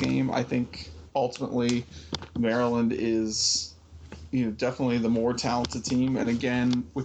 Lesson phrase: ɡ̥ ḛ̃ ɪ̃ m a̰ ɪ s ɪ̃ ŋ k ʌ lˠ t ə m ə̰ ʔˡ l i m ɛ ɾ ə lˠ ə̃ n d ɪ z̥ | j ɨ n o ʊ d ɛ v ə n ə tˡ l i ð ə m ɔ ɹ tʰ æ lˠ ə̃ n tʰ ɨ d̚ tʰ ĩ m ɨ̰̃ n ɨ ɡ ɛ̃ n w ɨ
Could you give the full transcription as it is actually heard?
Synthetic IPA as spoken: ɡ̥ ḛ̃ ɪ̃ m a̰ ɪ θ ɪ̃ ŋ k ʌ lˠ t ə m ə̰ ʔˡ l i m ɛ ɹ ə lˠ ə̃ n d ɪ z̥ | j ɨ n o ʊ d ɛ f ə n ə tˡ l i ð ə m ɔ ɹ tʰ æ lˠ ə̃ n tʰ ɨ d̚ tʰ ĩ m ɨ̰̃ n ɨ ɡ ɛ̃ n w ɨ